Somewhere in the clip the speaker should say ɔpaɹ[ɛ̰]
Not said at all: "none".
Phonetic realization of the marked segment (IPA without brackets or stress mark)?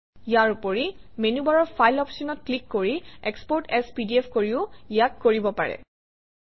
ɛ̰